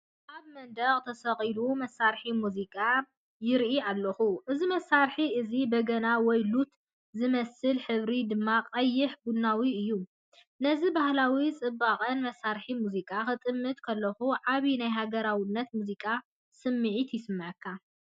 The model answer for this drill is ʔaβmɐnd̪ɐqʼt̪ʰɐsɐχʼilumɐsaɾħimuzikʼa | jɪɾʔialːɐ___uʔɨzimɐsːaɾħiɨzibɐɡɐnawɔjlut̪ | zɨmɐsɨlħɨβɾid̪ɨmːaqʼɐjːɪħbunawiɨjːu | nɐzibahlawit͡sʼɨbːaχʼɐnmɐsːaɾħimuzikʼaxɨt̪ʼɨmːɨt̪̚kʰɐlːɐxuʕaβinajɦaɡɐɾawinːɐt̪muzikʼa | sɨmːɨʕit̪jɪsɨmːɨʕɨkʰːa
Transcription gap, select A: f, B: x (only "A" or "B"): B